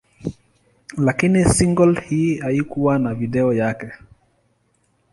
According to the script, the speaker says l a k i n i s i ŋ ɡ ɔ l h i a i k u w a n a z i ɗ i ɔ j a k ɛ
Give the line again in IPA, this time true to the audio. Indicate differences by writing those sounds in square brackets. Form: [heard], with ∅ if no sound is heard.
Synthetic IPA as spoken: l a k i n i s i ŋ ɡ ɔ l h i a i k u w a n a [v] i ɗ [ɛ] ɔ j a k ɛ